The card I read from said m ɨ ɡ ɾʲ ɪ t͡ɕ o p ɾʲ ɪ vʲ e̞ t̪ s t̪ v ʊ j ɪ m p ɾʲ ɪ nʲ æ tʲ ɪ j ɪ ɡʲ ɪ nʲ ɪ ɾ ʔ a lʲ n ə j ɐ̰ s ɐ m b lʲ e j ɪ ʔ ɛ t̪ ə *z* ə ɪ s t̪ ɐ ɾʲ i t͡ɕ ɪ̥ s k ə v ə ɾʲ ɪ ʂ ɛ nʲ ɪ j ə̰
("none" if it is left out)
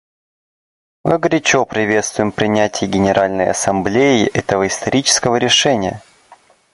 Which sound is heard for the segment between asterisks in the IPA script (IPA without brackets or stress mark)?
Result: v